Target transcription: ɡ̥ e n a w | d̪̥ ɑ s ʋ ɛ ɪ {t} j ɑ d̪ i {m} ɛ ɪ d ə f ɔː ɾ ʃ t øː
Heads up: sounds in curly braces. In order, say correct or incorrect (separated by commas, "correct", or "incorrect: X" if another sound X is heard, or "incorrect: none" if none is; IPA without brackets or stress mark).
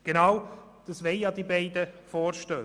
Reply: incorrect: none, incorrect: b